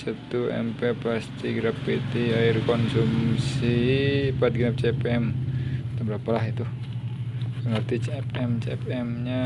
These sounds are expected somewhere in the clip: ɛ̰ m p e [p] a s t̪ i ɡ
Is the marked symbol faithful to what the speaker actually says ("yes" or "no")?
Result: yes